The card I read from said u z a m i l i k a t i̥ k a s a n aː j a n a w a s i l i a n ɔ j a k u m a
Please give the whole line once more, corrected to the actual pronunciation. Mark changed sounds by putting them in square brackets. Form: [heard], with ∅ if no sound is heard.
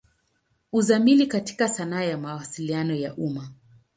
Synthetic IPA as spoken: u z a m i l i k a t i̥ k a s a n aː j a [m] a w a s i l i a n ɔ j a [ʔ] u m a